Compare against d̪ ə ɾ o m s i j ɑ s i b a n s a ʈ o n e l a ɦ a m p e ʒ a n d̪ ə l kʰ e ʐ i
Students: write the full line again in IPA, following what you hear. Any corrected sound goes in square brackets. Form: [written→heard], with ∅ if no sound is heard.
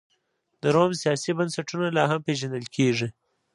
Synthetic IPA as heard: d̪ ə ɾ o m s i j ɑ s i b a n s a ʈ [o→u] n [e→a] l [a→ɑ] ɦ a m p e ʒ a n d̪ ə l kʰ e ʐ i

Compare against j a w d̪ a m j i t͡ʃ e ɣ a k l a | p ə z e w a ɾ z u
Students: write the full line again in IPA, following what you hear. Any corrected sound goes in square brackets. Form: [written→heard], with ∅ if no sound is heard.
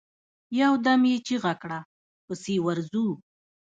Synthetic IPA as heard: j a w d̪ a m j [i→e] t͡ʃ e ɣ a k [l→ɽ] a | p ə [z→s] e w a ɾ z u

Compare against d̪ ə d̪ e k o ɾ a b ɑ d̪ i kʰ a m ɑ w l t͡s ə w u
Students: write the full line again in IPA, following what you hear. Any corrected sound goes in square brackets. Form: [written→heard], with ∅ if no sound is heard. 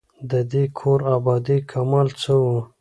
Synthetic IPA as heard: d̪ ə d̪ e [k→kʰ] o ɾ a b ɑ d̪ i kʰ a m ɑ [w→∅] l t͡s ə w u

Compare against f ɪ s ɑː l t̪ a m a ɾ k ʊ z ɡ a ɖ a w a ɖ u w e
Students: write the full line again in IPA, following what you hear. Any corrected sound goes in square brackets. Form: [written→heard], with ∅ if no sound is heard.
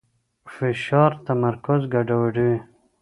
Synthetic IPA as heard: f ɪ [s→ʃ] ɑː [l→ɾ] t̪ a m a ɾ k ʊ z ɡ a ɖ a w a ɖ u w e

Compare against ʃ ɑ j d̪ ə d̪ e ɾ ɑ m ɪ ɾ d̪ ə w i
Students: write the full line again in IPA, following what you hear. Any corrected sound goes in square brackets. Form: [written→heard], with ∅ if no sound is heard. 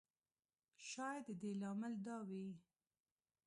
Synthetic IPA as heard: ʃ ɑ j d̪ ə d̪ e [ɾ→l] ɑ m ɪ [ɾ→l] d̪ [ə→ɑ] w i

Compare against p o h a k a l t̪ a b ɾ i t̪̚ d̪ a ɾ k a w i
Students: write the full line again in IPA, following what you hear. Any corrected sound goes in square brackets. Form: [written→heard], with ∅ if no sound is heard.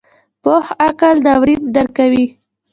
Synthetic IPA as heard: p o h a k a l [t̪→d̪] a [b→w] ɾ i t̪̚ d̪ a ɾ k a w i

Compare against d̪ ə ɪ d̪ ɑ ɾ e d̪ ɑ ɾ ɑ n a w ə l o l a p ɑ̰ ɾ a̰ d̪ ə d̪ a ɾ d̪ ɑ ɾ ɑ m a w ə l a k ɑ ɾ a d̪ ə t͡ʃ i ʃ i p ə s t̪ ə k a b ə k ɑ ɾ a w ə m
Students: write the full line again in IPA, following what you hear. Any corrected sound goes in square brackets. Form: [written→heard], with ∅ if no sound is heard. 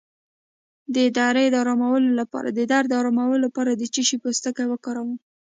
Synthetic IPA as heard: d̪ ə ɪ d̪ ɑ ɾ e d̪ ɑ ɾ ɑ [n→m] a w ə l o l a p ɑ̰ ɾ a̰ d̪ ə d̪ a ɾ d̪ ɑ ɾ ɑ m a w ə l a [k→p] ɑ ɾ a d̪ ə t͡ʃ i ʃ i p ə s t̪ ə k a [b→w] ə k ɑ ɾ a w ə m

